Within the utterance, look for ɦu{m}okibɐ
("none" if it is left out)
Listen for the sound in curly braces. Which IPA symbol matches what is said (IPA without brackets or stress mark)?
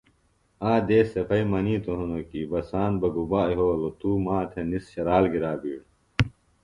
n